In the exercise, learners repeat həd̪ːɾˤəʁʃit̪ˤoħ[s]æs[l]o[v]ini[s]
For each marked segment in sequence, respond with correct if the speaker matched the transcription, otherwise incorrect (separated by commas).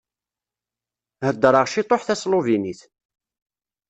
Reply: incorrect, correct, correct, incorrect